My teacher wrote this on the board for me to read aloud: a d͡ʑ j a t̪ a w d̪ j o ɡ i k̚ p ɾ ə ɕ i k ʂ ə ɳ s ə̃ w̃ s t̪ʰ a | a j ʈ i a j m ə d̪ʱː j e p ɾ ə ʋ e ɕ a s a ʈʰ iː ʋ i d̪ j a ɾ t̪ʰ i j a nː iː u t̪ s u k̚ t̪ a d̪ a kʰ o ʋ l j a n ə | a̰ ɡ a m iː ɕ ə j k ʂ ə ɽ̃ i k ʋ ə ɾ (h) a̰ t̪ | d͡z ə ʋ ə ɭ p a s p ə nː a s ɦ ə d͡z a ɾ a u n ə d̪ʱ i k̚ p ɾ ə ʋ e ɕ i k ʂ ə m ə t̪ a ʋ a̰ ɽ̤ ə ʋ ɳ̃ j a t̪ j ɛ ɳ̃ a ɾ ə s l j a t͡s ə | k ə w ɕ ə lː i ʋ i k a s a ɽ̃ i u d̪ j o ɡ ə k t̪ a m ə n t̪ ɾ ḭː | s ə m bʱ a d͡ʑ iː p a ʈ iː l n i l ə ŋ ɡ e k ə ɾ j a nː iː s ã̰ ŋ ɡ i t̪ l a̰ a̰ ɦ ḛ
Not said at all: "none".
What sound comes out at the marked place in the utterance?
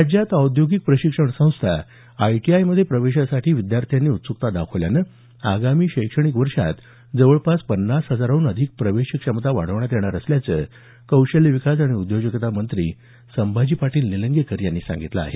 ʂ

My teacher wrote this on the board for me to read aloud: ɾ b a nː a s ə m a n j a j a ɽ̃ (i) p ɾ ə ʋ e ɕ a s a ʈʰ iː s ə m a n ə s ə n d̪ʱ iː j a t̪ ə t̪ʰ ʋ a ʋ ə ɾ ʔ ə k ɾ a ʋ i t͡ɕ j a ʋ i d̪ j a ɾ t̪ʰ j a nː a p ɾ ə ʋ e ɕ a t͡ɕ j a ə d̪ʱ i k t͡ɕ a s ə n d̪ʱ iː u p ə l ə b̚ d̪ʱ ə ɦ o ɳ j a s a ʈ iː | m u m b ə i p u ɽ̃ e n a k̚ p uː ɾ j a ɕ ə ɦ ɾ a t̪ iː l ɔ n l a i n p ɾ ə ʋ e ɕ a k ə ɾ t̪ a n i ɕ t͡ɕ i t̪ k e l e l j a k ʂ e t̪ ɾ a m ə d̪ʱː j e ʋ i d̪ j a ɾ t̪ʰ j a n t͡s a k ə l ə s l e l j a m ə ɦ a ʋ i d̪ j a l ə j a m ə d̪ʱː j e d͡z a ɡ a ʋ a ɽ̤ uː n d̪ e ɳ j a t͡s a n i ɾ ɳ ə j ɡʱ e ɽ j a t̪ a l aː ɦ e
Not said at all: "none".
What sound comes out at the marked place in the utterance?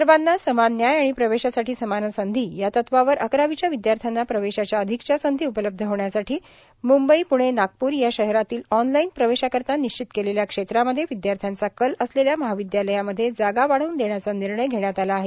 i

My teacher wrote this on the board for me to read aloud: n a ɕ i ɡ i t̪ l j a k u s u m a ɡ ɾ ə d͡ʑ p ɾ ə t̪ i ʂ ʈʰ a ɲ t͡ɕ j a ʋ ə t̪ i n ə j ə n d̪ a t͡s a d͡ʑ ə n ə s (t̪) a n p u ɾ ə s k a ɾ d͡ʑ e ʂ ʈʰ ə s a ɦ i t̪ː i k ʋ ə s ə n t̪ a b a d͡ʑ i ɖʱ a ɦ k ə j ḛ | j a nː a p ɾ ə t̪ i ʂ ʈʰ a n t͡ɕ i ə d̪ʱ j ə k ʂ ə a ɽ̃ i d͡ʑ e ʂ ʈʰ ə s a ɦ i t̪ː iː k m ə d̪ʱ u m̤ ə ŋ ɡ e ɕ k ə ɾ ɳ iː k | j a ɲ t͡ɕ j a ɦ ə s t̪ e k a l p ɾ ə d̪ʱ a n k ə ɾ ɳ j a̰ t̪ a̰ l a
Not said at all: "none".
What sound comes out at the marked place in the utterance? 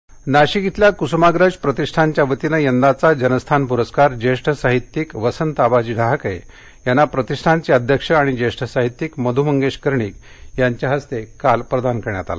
t̪ʰ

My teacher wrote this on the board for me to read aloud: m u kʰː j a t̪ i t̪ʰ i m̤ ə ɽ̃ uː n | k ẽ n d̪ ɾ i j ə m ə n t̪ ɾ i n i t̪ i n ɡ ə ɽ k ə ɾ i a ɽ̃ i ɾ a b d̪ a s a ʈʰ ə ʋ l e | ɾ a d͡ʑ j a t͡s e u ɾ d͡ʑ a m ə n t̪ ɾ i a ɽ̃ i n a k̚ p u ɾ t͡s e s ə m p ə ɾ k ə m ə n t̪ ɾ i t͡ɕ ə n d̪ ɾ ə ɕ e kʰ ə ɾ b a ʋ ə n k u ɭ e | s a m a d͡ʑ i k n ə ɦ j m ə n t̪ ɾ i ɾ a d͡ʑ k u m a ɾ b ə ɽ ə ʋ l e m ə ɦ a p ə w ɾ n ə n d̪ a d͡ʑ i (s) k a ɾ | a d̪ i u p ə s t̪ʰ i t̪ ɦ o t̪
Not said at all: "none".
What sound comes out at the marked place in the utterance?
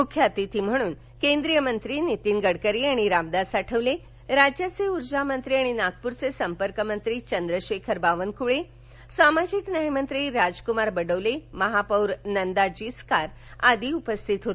s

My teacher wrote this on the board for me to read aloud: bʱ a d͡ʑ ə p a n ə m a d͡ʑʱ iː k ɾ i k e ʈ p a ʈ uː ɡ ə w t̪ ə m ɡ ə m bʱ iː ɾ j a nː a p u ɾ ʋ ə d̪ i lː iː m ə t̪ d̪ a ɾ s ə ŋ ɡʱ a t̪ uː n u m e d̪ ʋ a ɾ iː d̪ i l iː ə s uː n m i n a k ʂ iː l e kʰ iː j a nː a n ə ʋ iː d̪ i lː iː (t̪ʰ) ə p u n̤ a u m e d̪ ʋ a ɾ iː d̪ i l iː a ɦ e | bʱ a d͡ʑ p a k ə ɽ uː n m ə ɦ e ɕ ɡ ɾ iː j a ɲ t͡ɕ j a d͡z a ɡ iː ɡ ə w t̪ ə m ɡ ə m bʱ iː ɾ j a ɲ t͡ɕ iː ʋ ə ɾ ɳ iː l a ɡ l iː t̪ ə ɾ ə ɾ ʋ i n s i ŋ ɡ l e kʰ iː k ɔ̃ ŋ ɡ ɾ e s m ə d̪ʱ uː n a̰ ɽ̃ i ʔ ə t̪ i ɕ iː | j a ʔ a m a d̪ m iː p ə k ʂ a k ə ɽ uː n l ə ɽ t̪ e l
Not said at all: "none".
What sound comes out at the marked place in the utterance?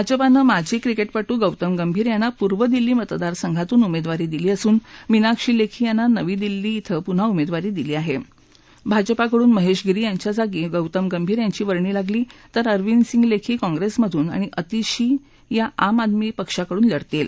t̪ʰ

